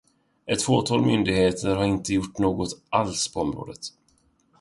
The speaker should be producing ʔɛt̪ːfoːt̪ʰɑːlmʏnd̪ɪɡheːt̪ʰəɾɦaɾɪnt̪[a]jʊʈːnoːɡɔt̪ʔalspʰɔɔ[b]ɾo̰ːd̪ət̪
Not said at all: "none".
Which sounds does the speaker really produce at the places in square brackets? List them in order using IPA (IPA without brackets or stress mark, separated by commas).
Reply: ə, m